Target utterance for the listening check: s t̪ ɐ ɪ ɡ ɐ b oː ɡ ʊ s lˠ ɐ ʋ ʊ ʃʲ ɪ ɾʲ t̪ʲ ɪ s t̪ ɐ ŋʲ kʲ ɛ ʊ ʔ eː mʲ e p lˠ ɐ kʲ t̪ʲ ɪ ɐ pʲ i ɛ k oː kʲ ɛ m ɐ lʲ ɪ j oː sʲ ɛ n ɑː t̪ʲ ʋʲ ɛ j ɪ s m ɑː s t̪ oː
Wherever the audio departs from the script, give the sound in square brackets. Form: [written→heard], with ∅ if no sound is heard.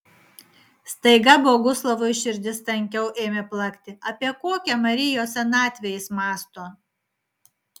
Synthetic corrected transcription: s t̪ ɐ ɪ ɡ ɐ b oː ɡ ʊ s lˠ ɐ ʋ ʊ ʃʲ ɪ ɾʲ [t̪ʲ→d̪ʲ] ɪ s t̪ ɐ ŋʲ kʲ ɛ ʊ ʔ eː mʲ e p lˠ ɐ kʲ t̪ʲ ɪ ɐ pʲ i ɛ k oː kʲ ɛ m ɐ [lʲ→ɾʲ] ɪ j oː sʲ ɛ n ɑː t̪ʲ ʋʲ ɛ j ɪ s m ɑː s t̪ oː

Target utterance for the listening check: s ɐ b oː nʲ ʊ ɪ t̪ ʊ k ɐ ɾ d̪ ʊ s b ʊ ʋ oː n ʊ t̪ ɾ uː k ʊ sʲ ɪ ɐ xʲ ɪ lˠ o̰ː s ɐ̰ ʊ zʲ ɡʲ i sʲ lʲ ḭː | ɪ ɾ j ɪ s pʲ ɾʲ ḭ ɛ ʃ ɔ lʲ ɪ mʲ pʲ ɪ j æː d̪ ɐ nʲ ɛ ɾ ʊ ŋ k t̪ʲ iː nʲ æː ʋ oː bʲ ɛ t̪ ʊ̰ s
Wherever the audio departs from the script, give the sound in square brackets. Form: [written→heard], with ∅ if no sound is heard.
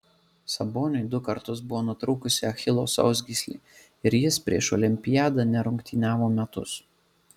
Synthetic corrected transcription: s ɐ b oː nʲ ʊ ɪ [t̪→d̪] ʊ k ɐ ɾ [d̪→t̪] ʊ s b ʊ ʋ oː n ʊ t̪ ɾ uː k ʊ sʲ ɪ ɐ xʲ ɪ lˠ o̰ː s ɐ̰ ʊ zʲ ɡʲ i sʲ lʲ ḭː | ɪ ɾ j ɪ s pʲ ɾʲ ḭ ɛ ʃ ɔ lʲ ɪ mʲ pʲ ɪ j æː d̪ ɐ nʲ ɛ ɾ ʊ ŋ k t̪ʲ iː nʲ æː ʋ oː [bʲ→mʲ] ɛ t̪ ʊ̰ s

